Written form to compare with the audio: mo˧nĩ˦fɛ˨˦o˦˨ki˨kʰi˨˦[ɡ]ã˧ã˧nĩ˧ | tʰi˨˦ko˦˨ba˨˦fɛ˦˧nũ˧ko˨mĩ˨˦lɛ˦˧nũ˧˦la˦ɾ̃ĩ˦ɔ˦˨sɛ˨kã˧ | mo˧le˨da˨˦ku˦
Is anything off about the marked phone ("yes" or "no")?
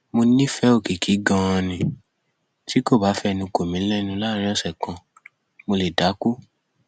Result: no